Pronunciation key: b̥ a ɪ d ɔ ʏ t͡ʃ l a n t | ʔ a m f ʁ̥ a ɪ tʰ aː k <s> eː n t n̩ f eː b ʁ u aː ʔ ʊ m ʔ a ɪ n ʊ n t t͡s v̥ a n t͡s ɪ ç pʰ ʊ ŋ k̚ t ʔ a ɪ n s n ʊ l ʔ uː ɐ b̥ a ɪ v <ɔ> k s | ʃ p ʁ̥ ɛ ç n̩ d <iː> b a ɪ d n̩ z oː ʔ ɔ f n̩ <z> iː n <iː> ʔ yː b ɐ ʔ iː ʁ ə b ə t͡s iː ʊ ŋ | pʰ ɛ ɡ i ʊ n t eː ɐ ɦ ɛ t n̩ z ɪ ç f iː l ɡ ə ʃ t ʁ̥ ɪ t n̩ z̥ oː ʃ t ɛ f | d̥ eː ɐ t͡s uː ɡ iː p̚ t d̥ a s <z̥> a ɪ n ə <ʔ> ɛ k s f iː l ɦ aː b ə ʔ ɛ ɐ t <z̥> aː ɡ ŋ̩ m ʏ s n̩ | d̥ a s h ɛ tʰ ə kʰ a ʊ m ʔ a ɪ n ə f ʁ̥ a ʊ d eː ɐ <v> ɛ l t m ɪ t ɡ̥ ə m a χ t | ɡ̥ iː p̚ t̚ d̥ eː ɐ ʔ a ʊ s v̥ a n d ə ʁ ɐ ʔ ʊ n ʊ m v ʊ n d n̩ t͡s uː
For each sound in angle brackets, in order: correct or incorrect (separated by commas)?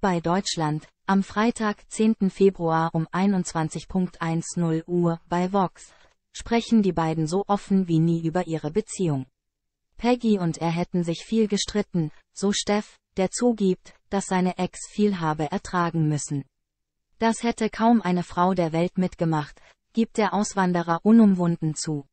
incorrect, correct, correct, incorrect, correct, correct, correct, incorrect, correct